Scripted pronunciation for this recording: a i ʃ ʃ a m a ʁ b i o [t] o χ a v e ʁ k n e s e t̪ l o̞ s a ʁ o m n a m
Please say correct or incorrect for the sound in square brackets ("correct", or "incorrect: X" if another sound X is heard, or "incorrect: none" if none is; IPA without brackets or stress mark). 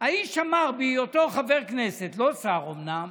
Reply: correct